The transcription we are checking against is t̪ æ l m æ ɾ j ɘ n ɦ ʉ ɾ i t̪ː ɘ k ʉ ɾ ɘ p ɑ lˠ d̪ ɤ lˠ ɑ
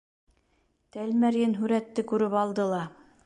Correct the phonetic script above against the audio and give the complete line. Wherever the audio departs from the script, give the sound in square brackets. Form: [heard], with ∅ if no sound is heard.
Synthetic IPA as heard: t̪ æ l m æ ɾ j ɘ n ɦ ʉ ɾ [æ] t̪ː ɘ k ʉ ɾ ɘ p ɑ lˠ d̪ ɤ lˠ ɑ